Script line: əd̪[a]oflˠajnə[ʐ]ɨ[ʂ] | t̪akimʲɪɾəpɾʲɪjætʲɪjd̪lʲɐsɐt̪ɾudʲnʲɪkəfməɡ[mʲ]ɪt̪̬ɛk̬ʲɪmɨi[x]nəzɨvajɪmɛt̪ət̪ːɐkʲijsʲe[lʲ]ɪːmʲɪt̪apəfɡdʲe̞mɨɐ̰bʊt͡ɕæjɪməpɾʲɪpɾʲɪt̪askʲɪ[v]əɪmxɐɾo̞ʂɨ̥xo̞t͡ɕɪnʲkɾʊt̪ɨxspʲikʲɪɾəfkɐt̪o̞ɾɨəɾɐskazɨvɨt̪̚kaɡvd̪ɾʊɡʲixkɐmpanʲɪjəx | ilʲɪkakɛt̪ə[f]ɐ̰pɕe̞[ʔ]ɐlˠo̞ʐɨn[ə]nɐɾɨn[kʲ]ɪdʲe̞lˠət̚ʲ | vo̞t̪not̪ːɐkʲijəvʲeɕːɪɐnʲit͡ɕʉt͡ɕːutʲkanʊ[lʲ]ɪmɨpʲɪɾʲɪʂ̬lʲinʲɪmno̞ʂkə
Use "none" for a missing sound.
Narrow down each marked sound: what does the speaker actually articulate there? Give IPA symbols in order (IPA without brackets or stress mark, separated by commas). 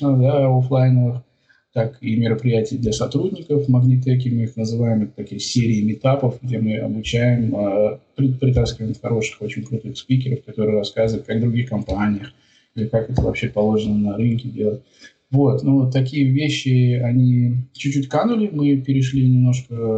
a, v, x, nʲ, x, ɾʲ, v, v, p, ə, kʲ, lʲ